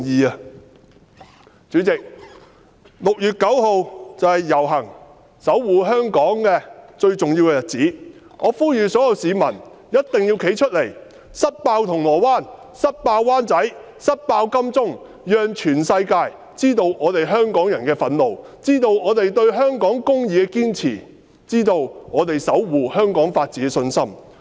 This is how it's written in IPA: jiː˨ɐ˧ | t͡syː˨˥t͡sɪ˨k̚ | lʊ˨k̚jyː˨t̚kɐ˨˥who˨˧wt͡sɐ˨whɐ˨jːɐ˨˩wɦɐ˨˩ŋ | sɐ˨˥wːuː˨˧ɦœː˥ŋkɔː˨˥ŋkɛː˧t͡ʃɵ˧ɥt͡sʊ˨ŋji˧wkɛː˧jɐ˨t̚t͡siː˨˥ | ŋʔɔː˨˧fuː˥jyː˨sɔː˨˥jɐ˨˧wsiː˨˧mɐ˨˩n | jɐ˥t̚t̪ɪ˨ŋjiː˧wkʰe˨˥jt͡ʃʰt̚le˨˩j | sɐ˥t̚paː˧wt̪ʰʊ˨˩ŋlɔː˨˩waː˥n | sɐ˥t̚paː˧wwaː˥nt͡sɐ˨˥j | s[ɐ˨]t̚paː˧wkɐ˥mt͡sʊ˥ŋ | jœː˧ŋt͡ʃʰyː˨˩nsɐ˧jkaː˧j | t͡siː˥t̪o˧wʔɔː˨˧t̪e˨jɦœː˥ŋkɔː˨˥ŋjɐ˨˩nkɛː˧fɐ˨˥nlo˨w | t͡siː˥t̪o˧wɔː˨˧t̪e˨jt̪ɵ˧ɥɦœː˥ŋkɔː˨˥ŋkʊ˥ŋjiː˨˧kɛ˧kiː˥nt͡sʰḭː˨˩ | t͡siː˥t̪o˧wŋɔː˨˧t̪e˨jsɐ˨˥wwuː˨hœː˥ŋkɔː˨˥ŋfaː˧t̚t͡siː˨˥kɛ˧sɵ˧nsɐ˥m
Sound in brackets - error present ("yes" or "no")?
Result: yes